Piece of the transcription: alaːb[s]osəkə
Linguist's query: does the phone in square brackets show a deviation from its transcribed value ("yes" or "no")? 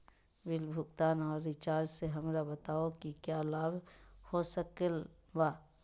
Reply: yes